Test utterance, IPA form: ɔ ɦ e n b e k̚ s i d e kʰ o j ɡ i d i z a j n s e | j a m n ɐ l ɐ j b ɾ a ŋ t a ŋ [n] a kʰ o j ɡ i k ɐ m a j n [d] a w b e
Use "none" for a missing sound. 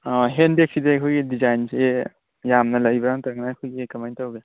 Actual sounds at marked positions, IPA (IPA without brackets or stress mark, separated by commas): n, t